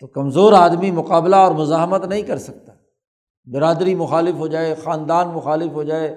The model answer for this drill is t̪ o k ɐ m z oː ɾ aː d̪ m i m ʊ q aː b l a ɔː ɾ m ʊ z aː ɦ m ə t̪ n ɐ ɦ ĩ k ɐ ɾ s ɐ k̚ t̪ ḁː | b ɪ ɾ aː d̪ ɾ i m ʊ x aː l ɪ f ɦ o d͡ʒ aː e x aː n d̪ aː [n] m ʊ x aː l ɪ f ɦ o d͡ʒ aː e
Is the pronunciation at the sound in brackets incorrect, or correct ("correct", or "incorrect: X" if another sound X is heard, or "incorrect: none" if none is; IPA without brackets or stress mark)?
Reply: correct